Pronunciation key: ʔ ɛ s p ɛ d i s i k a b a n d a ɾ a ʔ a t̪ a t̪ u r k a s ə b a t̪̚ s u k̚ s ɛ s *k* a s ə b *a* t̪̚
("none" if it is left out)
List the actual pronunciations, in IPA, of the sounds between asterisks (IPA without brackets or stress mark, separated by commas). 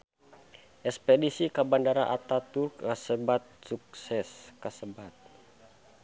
k, a